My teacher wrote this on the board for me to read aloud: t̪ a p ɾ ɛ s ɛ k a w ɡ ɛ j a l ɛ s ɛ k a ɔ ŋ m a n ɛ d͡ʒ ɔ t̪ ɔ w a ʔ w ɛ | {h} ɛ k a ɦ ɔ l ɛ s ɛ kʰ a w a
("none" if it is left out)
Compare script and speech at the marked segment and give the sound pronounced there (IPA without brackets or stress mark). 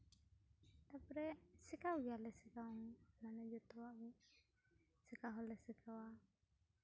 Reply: s